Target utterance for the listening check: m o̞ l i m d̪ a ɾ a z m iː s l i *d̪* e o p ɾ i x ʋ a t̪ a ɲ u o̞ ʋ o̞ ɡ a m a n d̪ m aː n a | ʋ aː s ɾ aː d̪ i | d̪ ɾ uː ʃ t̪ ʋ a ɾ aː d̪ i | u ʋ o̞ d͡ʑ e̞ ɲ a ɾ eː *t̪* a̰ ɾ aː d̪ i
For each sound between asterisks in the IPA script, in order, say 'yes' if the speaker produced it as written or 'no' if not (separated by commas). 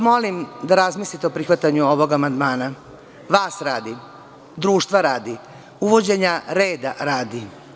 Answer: no, no